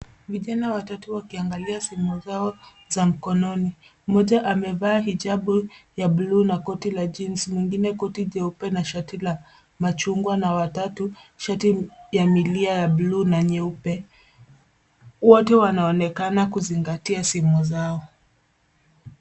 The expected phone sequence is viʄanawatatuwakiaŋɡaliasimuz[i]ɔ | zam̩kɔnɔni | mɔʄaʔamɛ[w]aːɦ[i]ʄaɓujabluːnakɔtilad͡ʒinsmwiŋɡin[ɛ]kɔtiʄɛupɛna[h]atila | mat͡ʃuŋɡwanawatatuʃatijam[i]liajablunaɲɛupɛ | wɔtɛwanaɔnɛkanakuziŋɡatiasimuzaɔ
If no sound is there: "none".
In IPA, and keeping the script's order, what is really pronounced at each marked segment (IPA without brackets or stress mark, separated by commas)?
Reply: a, v, i, ɛ, ʃ, i